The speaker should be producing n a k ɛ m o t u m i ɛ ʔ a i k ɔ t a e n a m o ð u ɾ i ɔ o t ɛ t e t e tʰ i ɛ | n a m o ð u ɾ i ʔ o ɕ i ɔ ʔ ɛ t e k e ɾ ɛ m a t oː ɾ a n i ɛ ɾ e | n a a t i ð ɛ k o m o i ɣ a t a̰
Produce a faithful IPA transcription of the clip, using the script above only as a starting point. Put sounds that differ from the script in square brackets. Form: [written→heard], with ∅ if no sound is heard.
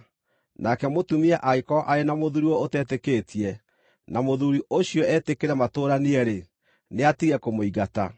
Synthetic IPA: n a k ɛ m o t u m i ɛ ʔ a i k ɔ [t→ʔ] a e n a m o ð u ɾ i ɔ o t ɛ t e [t→k] e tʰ i ɛ | n a m o ð u ɾ i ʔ o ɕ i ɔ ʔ ɛ t e k e ɾ ɛ m a t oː ɾ a n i ɛ ɾ e | n [a→e] a t i [ð→ɣ] ɛ k o m o i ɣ a t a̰

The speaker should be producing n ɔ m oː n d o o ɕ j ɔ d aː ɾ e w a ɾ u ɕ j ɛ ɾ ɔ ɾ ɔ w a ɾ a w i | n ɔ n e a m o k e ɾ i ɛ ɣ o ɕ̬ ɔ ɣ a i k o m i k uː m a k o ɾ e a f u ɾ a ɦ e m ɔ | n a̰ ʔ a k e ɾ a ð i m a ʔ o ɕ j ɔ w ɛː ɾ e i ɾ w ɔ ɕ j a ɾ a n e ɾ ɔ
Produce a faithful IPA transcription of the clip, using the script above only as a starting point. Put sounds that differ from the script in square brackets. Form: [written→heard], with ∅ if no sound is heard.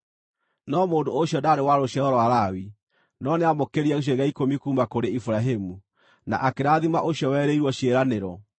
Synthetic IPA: n ɔ m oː n d o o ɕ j ɔ d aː ɾ e w a ɾ [u→o] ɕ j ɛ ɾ ɔ ɾ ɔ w a ɾ a w i | n ɔ n e a m o k e ɾ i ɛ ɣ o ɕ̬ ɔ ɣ a i k o m i k uː m a k o ɾ e [a→i] f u ɾ a ɦ e m [ɔ→u] | n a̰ ʔ a k e ɾ a ð i m a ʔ o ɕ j ɔ w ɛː ɾ e i ɾ w ɔ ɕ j [a→e] ɾ a n e ɾ ɔ

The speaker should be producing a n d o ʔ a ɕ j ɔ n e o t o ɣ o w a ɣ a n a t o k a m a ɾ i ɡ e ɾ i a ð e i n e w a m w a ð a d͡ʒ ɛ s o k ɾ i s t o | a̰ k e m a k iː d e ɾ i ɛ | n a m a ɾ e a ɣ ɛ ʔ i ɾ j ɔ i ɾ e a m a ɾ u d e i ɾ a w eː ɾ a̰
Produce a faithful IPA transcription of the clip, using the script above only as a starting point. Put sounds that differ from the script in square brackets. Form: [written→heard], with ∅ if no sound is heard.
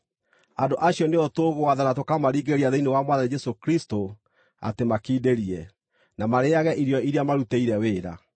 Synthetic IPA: a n d o ʔ a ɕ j ɔ n e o t o ɣ o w a [ɣ→ð] a n a t o k a m a ɾ i ɡ e ɾ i a ð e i n e w a m w a ð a d͡ʒ ɛ s o k ɾ i s t o | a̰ [k→t] e m a k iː d e ɾ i ɛ | n a m a ɾ e a ɣ ɛ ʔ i ɾ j ɔ i ɾ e a m a ɾ u [d→t] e i ɾ [a→ɛ] w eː ɾ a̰

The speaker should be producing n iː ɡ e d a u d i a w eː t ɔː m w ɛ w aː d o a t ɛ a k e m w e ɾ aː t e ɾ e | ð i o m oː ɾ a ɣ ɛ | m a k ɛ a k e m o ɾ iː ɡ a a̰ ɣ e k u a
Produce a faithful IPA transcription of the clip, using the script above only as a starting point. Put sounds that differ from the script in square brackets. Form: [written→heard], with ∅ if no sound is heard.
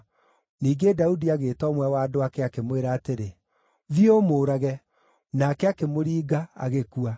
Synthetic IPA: n iː ɡ e d a u d i a [w→ɣ] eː t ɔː m w ɛ w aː d o a [t→k] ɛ a k e m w e ɾ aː t e ɾ e | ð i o m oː ɾ a ɣ ɛ | [m→n] a k ɛ a k e m o ɾ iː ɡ a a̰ ɣ e k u a

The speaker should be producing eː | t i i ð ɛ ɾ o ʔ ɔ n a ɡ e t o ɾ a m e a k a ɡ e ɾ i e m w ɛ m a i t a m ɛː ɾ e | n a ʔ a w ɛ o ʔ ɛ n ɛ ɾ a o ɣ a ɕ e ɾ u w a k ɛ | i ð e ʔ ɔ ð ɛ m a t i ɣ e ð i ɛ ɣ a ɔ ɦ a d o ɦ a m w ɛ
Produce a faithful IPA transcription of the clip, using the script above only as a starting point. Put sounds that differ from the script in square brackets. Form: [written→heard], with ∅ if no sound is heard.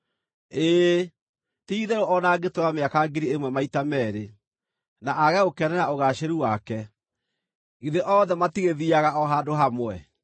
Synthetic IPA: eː | t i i ð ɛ ɾ o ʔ ɔ n a ɡ e t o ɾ a m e a k a ɡ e ɾ i e m w ɛ m a i t a m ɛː ɾ e | n a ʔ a [w→ɣ] ɛ o [ʔ→k] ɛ n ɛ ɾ a o ɣ a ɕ e ɾ u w a k ɛ | i ð e ʔ ɔ ð ɛ m a t i ɣ e ð i [ɛ→a] ɣ a ɔ ɦ a d o ɦ a m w ɛ

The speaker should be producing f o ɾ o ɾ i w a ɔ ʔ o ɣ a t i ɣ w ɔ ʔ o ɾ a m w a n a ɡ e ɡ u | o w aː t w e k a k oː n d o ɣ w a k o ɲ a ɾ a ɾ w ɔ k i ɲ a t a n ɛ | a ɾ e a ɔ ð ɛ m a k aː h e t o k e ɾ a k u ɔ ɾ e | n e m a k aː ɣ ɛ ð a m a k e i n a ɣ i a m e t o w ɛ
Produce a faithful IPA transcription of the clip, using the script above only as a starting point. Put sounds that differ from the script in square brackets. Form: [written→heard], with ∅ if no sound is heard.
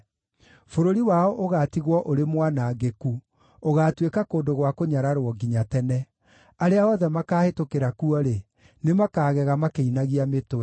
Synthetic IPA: f o ɾ o ɾ i w a ɔ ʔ o ɣ a t i ɣ w ɔ ʔ o ɾ [a→e] m w a n a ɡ e [ɡ→k] u | o [w→ɣ] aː t w e k a k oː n d o ɣ w a k o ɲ a ɾ a ɾ w ɔ [k→ɡ] i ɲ a t [a→ɛ] n ɛ | a ɾ e a ɔ ð ɛ m a k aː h e t o k e ɾ a k u ɔ ɾ e | n e m a k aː ɣ ɛ [ð→ɣ] a m a k e i n a ɣ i a m e t o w ɛ

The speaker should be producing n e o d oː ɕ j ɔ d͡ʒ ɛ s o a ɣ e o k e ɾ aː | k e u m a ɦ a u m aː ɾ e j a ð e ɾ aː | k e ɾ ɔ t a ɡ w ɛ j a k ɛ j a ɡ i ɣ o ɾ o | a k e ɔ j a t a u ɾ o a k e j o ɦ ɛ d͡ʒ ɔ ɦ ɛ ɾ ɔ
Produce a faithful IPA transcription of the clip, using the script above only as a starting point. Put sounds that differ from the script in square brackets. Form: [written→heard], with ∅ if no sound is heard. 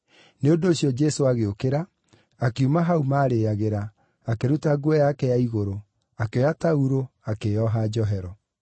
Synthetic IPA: n e o d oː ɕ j ɔ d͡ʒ ɛ s o a ɣ e o k e ɾ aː | k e u m a ɦ a u m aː ɾ e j a [ð→ɣ] e ɾ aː | k e ɾ [ɔ→u] t a ɡ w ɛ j a k ɛ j a [ɡ→∅] i ɣ o ɾ o | a k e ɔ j a t a u ɾ o a k e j [o→ɔ] ɦ [ɛ→a] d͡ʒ ɔ ɦ ɛ ɾ ɔ

